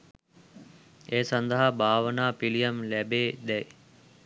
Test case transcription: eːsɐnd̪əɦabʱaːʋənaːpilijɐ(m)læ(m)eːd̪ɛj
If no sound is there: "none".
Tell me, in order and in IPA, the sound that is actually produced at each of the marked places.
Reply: m, b

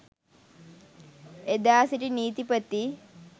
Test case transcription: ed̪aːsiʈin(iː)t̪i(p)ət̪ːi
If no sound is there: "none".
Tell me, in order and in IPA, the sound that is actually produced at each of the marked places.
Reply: iː, p

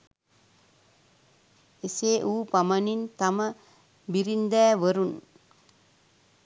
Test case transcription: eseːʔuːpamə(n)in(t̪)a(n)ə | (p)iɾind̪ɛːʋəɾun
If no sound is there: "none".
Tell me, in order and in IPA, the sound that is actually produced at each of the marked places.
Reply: n, t̪, m, b

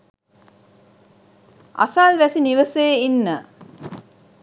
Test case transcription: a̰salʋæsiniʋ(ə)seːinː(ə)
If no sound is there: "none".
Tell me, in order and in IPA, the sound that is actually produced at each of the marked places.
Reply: ə, ə

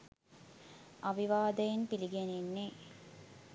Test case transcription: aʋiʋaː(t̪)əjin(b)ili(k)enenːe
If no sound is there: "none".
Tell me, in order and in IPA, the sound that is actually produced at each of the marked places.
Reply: d̪, p, ɡ

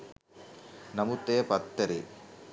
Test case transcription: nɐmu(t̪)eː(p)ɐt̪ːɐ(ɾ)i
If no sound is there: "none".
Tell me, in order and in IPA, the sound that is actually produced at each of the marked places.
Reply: t̪, p, ɾ

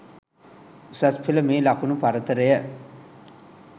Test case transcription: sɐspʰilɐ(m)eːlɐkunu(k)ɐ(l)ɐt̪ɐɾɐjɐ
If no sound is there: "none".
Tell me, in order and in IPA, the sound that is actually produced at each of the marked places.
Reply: m, p, ɾ

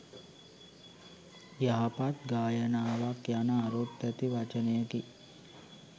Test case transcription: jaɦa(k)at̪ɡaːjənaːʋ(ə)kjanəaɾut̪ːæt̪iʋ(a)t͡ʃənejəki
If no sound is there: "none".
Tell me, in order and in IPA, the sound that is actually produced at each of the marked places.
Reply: p, a, a

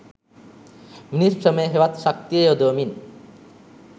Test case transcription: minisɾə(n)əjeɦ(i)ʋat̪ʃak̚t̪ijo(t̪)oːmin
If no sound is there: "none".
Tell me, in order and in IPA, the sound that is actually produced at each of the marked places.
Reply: m, e, d̪

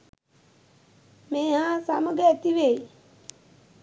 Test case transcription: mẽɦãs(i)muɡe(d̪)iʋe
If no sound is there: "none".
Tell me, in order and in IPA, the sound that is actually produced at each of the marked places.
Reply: a, t̪

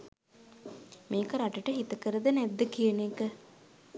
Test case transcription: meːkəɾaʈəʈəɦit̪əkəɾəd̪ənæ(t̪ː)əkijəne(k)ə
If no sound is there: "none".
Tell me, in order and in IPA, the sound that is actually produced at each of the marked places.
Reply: d̪ː, k

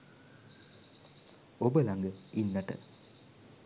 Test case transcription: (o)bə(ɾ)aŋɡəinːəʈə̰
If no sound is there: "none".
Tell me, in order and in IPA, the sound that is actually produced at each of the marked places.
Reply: o, l

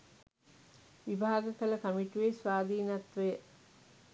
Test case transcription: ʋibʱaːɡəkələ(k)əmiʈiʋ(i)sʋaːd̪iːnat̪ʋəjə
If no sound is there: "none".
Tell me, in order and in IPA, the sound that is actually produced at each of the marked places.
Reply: k, e

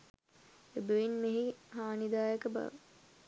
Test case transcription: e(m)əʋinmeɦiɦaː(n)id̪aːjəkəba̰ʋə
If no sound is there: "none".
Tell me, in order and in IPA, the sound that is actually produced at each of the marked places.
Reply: b, n

